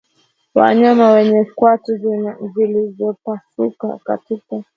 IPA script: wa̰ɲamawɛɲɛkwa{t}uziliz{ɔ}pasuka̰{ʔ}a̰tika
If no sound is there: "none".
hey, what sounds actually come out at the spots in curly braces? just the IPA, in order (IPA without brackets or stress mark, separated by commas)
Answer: t, ɔ, k